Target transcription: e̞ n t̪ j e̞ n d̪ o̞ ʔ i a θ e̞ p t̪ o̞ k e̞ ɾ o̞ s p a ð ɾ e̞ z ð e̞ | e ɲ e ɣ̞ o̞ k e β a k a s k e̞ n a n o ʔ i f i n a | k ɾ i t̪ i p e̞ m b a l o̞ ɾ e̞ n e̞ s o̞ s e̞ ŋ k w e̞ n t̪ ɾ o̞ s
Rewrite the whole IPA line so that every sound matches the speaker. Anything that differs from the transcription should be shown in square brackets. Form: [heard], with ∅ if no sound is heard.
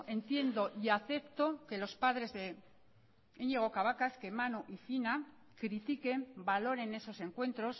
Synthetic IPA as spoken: e̞ n t̪ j e̞ n d̪ o̞ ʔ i a θ e̞ p t̪ o̞ k e̞ [l] o̞ s p a ð ɾ e̞ z ð e̞ | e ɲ e ɣ̞ o̞ k [a] β a k a s k e̞ [m] a n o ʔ i f i n a | k ɾ i t̪ i [k] e̞ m b a l o̞ ɾ e̞ n e̞ s o̞ s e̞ ŋ k w e̞ n t̪ ɾ o̞ s